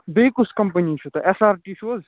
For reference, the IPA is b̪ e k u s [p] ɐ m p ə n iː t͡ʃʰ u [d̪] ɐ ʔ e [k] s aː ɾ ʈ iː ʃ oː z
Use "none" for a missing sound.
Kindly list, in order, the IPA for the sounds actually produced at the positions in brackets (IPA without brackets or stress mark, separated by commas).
k, t̪, none